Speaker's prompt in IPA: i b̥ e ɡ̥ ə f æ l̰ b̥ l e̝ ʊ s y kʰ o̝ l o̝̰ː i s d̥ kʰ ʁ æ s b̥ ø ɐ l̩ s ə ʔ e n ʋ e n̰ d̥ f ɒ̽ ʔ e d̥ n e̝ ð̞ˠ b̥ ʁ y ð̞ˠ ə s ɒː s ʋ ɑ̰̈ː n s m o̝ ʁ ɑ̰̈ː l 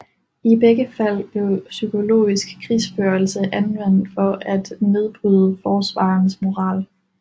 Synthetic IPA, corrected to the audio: i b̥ e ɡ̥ ə f æ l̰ b̥ l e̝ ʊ s y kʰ o̝ l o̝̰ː i s ɡ̥ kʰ ʁ i s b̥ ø ɐ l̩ s ə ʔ æ n ʋ e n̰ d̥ f ɒ̽ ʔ æ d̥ n e̝ ð̞ˠ b̥ ʁ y ð̞ˠ ə f ɒː s ʋ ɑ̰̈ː n s m o̝ ʁ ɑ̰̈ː l